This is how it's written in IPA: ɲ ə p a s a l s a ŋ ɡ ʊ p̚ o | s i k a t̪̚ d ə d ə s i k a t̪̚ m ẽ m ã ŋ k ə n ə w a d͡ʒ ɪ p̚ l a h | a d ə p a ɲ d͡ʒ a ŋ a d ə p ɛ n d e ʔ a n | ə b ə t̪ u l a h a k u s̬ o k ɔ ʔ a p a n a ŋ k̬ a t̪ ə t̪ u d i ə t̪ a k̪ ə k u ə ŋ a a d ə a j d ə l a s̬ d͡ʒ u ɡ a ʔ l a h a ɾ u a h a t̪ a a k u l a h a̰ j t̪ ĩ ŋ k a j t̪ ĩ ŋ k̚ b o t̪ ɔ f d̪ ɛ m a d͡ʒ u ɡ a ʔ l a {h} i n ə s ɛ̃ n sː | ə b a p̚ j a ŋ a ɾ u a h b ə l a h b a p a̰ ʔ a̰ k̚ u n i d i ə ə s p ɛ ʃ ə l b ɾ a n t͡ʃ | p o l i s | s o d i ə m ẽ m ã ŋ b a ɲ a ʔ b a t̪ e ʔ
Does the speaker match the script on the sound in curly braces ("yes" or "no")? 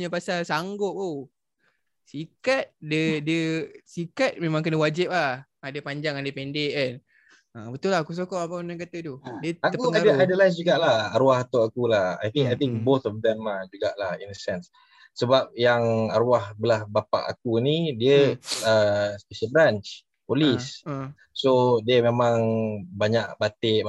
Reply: yes